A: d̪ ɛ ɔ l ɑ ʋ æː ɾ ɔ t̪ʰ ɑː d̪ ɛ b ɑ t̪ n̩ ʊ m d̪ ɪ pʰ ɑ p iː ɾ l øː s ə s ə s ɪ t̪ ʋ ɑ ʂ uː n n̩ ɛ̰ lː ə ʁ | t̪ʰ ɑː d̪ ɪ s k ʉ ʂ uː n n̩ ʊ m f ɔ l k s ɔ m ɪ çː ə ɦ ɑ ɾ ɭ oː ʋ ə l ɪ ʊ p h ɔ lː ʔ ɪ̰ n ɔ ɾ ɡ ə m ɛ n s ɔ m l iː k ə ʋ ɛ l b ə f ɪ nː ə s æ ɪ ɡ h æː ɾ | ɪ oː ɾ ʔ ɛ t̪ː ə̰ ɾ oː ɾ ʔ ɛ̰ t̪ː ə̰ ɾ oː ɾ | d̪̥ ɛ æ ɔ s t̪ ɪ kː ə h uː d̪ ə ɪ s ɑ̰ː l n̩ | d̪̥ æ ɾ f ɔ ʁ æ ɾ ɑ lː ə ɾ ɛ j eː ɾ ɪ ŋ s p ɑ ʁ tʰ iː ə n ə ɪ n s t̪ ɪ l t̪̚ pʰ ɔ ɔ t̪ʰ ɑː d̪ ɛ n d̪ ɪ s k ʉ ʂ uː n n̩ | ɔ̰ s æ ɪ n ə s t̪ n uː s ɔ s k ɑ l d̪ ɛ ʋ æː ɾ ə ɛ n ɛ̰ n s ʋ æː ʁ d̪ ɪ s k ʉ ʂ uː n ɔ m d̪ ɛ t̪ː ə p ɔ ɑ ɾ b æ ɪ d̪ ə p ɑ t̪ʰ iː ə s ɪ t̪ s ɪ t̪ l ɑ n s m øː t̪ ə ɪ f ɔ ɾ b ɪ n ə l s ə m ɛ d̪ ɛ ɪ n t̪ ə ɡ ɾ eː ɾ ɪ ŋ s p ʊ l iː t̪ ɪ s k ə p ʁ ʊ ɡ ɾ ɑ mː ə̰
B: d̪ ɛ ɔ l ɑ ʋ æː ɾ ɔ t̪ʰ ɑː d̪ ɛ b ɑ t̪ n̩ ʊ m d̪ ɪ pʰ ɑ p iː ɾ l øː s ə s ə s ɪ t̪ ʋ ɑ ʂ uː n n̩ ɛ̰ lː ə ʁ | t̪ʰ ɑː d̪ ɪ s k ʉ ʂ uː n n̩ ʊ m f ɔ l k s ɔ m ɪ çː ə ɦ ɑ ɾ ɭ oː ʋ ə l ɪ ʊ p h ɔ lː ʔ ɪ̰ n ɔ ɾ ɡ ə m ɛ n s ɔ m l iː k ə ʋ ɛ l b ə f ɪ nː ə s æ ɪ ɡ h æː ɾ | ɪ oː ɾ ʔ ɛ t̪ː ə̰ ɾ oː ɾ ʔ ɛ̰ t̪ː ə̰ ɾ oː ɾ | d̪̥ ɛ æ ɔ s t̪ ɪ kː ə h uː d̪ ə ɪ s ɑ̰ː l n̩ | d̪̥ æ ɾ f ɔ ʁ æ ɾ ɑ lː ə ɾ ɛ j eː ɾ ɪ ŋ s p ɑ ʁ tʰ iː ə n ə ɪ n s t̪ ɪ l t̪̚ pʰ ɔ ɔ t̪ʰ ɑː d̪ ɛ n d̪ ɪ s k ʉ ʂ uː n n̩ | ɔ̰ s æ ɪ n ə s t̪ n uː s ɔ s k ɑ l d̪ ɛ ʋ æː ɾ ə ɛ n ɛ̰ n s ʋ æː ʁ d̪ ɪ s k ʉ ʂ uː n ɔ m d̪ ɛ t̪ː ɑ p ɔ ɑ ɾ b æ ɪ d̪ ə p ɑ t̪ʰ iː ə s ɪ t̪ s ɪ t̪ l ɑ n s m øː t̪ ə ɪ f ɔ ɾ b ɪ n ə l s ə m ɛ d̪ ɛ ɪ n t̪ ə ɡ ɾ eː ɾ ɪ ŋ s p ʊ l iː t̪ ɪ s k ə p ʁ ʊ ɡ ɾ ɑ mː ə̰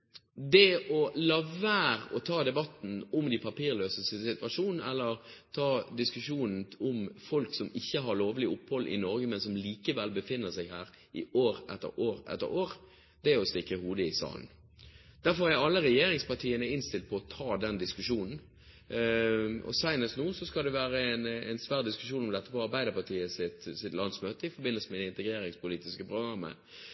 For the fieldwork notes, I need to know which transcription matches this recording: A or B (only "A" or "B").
A